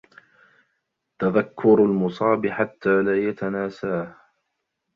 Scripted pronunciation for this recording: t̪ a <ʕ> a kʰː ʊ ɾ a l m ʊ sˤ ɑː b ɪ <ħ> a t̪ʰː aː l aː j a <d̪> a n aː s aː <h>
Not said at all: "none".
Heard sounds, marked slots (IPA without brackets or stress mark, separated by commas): ð, ħ, t̪, h